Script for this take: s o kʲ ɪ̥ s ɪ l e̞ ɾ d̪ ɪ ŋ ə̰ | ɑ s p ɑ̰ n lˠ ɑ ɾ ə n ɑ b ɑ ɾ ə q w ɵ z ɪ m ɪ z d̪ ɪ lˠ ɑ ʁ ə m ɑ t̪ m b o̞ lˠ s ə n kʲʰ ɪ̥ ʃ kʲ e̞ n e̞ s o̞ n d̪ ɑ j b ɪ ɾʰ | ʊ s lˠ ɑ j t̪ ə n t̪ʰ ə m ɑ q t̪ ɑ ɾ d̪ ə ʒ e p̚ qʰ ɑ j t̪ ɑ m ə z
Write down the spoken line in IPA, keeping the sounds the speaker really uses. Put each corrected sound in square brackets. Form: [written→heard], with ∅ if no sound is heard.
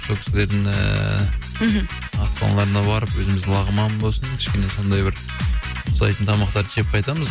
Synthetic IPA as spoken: s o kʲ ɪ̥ s ɪ l e̞ ɾ d̪ ɪ ŋ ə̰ | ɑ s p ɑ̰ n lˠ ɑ ɾ ə n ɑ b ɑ ɾ ə [q→p] w ɵ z ɪ m ɪ z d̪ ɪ lˠ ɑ ʁ ə m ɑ [t̪→∅] m b o̞ lˠ s ə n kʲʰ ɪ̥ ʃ kʲ e̞ n e̞ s o̞ n d̪ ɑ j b ɪ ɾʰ | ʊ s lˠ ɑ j t̪ ə n t̪ʰ [ə→ɑ] m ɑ q t̪ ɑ ɾ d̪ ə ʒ e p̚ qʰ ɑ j t̪ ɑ m ə z